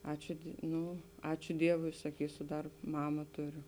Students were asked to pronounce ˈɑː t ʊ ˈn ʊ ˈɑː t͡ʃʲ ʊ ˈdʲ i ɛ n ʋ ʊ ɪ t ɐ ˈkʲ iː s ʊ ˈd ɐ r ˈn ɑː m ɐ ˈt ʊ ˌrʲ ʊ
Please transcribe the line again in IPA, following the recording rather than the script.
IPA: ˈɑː t͡ʃʲ ʊ ˈn ʊ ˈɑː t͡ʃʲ ʊ ˈdʲ i ɛ ʋ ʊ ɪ s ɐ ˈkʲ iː s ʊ ˈd ɐ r ˈm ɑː m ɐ ˈt ʊ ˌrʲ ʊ

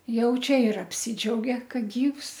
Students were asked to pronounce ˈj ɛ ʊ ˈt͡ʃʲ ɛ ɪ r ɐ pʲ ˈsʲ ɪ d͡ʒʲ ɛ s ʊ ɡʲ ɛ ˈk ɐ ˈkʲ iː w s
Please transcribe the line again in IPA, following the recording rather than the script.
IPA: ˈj ɛ ʊ ˈt͡ʃʲ ɛ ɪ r ɐ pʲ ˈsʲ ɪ d͡ʒʲ ɛ ʊ ɡʲ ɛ ˈk ɐ ˈɡʲ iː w s

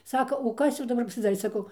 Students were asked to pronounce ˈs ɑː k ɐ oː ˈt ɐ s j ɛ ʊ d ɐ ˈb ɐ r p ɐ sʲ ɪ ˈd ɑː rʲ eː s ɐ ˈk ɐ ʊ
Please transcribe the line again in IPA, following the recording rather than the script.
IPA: ˈs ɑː k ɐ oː ˈk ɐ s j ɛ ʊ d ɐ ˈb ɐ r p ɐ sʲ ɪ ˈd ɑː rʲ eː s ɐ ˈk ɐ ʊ

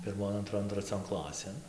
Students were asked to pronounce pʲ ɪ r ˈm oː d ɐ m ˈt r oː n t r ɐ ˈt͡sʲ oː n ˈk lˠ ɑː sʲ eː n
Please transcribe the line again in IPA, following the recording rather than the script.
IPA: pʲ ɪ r ˈm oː n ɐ n ˈt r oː n t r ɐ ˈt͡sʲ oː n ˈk lˠ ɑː sʲ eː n

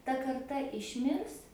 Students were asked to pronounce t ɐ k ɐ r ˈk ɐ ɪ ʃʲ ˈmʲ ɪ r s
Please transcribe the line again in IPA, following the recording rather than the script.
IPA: t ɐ k ɐ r ˈt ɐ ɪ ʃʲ ˈmʲ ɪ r s

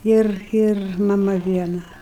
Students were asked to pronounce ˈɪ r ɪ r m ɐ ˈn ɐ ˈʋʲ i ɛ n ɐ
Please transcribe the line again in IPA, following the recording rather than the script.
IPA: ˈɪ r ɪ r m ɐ ˈm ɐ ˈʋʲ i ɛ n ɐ

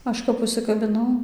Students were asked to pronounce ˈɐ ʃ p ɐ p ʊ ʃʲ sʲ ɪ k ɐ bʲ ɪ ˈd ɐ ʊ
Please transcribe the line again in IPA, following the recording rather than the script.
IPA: ˈɐ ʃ k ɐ p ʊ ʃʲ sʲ ɪ k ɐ bʲ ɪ ˈn ɐ ʊ

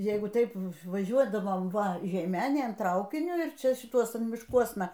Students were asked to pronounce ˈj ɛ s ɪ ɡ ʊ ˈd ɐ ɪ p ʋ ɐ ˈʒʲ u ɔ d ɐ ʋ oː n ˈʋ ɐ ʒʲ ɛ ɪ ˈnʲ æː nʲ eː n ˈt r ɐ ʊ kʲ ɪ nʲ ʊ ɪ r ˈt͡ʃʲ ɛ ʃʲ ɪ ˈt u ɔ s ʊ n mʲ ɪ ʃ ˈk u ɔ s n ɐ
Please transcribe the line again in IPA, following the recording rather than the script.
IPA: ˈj ɛ ɪ ɡ ʊ ˈt ɐ ɪ p ʋ ɐ ˈʒʲ u ɔ d ɐ ʋ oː m ˈʋ ɐ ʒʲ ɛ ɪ ˈmʲ æː nʲ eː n ˈt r ɐ ʊ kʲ ɪ nʲ ʊ ɪ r ˈt͡ʃʲ ɛ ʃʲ ɪ ˈt u ɔ s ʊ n mʲ ɪ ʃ ˈk u ɔ s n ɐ

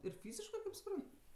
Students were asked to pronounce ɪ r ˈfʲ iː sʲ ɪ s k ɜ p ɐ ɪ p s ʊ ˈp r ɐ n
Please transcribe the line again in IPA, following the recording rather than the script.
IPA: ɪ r ˈfʲ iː zʲ ɪ ʃ k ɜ k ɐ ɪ p s ʊ ˈp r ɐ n

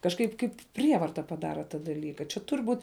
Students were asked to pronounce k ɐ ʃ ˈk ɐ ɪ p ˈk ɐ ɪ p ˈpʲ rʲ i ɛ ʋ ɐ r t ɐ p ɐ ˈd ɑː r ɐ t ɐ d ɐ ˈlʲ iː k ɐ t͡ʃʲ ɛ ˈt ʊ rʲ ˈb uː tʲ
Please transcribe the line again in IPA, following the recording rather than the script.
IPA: k ɐ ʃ ˈk ɐ ɪ p ˈk ɐ ɪ p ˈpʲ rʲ i ɛ ʋ ɐ r t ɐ p ɐ ˈd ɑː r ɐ t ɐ d ɐ ˈlʲ iː k ɐ t͡ʃʲ ɛ ˈt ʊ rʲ ˈb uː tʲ

